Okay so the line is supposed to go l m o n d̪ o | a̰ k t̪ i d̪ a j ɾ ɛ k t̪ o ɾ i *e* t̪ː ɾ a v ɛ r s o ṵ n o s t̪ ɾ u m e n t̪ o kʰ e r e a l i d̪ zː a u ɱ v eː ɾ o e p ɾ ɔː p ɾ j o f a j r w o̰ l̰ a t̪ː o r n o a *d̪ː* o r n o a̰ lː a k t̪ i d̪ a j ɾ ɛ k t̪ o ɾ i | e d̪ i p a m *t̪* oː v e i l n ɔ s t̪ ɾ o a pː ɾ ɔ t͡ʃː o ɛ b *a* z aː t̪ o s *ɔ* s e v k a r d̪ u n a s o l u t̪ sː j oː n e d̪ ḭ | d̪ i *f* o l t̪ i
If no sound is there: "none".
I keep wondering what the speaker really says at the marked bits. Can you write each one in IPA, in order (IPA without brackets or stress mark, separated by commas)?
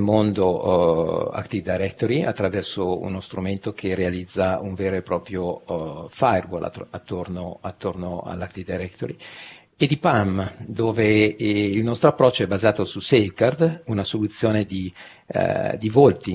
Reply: a, t̪ː, d̪, a, u, v